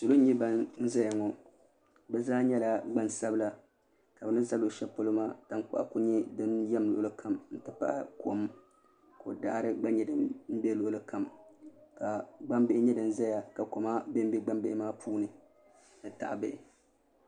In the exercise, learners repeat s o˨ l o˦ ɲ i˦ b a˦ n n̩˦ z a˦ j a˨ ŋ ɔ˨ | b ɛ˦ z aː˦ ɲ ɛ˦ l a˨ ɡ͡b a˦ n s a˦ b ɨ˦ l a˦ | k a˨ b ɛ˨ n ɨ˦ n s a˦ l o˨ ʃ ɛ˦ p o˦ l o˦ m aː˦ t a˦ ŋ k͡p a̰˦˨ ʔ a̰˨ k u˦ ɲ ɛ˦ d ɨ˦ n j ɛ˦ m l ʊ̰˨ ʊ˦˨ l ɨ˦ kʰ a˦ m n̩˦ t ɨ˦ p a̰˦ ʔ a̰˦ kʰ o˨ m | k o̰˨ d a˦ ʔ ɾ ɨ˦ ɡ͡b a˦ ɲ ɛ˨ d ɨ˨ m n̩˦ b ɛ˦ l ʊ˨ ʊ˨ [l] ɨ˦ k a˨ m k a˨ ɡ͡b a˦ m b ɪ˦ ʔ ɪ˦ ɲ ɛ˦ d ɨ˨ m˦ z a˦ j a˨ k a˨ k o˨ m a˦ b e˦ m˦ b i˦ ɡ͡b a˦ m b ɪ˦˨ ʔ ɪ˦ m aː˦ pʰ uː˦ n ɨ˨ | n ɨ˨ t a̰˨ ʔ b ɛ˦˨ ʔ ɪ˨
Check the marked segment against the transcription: correct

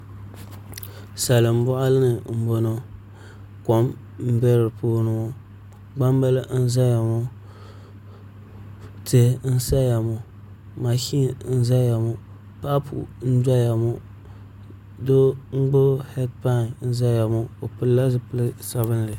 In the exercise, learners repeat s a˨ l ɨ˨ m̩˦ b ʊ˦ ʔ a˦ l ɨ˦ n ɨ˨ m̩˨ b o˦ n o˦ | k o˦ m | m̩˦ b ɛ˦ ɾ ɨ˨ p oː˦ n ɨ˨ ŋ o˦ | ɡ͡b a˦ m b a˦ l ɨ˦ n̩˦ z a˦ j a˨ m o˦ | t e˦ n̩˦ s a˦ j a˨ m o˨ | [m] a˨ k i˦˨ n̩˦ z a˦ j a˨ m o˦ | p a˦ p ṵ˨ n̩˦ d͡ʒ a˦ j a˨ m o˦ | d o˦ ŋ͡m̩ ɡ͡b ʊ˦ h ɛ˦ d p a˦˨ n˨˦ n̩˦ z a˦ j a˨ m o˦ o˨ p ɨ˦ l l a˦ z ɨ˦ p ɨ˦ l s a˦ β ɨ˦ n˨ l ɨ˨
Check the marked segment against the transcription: correct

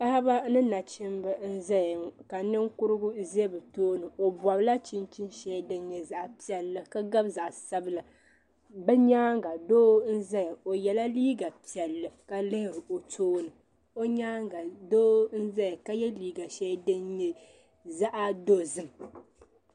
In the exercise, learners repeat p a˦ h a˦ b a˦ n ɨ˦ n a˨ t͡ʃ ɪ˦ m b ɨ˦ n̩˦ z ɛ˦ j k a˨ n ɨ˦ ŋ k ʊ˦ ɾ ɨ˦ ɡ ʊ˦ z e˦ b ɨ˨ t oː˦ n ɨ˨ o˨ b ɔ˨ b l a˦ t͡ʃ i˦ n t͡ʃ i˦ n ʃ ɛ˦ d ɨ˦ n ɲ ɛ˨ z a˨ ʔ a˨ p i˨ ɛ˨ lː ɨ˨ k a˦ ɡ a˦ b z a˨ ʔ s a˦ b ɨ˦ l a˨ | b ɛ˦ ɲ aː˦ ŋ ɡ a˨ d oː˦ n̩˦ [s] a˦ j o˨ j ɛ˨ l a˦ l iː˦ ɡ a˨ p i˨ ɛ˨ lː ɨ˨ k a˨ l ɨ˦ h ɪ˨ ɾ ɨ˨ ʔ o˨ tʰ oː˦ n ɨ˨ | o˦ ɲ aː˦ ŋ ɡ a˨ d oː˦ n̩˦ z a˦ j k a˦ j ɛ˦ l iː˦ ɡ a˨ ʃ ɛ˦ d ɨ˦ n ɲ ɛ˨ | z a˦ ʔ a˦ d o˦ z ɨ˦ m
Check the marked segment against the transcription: incorrect: z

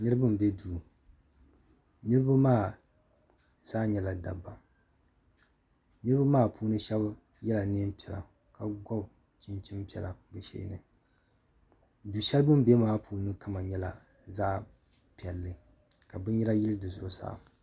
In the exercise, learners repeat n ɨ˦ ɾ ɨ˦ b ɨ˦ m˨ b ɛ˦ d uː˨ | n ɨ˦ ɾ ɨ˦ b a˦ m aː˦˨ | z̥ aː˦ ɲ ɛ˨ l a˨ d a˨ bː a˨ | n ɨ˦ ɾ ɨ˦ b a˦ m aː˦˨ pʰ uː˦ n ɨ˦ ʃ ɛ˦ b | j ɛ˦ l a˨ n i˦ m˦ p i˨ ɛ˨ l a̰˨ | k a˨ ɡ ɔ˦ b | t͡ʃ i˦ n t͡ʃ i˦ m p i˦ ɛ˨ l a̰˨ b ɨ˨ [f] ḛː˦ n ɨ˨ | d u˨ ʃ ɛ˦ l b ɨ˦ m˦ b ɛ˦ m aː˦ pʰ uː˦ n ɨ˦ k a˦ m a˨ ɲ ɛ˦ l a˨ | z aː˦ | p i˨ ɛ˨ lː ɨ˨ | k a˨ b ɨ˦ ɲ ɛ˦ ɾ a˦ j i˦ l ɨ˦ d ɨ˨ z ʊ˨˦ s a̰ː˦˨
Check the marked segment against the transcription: incorrect: ʃ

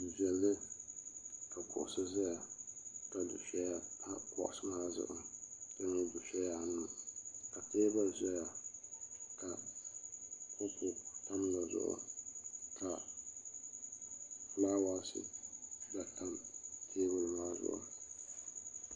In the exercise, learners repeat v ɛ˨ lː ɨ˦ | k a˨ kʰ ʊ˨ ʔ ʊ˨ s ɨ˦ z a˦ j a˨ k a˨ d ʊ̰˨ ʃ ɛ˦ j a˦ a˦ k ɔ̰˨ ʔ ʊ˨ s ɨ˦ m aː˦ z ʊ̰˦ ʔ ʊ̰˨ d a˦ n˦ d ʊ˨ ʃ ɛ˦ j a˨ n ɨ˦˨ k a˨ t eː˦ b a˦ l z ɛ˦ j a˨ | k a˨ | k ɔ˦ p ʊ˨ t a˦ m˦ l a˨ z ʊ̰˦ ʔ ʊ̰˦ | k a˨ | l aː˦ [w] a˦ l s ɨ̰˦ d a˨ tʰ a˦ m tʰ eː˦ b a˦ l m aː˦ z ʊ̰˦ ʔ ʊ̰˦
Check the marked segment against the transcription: correct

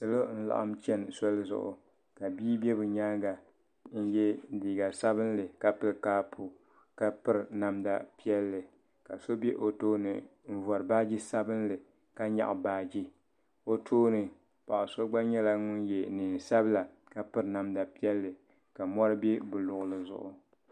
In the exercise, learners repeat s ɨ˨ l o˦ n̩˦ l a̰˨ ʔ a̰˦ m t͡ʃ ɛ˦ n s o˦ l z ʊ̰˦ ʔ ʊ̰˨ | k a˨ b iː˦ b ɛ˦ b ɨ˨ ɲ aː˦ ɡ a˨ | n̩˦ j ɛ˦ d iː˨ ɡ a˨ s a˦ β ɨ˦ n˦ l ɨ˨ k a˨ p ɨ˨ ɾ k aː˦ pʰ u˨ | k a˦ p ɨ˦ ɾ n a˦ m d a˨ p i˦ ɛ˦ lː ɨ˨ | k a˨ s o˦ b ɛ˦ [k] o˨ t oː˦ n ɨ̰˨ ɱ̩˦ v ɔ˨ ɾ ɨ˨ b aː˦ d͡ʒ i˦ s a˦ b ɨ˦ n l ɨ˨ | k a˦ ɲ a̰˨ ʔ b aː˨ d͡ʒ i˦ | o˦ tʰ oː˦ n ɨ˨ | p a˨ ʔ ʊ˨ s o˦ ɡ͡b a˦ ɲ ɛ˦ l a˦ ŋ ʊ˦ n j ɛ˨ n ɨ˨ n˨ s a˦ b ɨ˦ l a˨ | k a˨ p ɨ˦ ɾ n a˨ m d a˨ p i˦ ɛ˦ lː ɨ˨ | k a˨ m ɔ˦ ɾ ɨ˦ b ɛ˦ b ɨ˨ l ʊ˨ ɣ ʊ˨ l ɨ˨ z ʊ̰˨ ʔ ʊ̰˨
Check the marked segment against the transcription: incorrect: ʔ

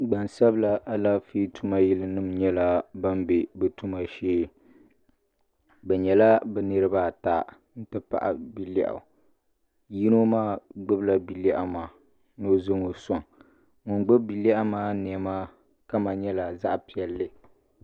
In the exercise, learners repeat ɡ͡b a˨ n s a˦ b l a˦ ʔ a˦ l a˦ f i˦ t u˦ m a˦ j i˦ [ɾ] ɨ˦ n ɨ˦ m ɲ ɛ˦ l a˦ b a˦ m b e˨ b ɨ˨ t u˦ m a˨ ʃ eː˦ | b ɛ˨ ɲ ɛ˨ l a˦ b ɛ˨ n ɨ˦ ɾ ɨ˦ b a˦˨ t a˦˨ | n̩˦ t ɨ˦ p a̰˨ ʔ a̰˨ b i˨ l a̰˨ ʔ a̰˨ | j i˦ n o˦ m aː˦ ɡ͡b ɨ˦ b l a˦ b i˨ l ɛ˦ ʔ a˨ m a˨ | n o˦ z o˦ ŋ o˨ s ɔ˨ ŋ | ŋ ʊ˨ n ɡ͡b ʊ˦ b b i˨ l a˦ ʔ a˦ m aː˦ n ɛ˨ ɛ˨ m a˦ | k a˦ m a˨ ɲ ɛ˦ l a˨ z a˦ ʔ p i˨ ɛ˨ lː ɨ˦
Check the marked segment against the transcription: incorrect: l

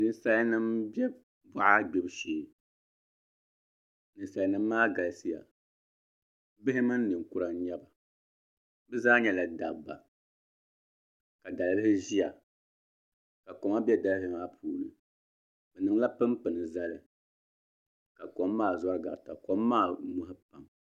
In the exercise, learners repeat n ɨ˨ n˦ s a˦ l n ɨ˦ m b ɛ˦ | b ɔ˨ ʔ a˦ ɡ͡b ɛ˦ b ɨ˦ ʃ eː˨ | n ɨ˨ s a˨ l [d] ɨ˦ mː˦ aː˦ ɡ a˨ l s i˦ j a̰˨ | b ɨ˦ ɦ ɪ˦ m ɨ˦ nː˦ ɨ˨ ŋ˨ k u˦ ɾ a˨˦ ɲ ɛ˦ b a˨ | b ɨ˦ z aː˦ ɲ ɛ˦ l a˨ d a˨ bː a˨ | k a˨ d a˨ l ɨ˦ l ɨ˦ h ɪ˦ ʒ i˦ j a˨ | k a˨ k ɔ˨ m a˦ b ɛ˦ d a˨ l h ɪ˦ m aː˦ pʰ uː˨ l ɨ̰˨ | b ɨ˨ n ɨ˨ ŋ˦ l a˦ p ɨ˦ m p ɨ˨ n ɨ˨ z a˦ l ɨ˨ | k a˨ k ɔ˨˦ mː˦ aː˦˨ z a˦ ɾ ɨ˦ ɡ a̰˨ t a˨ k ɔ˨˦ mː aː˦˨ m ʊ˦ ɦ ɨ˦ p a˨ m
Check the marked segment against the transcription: incorrect: n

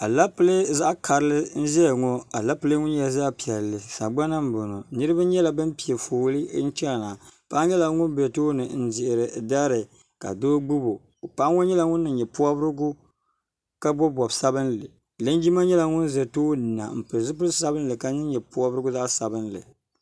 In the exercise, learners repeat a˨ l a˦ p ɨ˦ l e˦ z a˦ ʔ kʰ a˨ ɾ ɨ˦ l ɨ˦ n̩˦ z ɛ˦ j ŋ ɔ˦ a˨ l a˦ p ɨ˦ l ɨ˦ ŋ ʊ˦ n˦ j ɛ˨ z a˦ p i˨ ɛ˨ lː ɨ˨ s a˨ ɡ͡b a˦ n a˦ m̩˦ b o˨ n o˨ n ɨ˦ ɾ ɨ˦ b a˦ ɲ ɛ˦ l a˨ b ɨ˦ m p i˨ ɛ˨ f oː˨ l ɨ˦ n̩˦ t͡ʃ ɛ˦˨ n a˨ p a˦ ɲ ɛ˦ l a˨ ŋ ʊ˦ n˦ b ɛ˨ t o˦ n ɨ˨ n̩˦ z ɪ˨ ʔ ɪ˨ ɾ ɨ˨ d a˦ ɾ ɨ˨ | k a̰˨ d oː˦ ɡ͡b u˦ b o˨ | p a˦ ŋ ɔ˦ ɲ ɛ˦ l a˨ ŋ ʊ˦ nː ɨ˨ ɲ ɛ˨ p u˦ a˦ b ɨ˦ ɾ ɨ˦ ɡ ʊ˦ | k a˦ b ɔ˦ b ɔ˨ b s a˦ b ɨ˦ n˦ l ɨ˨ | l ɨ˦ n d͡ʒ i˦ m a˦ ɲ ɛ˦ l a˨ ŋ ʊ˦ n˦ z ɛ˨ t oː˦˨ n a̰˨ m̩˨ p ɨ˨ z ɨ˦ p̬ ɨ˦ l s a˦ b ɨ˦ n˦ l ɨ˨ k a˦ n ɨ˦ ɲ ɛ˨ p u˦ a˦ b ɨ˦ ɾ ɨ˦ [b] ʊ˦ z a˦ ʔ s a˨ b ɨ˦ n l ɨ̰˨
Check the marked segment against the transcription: incorrect: ɡ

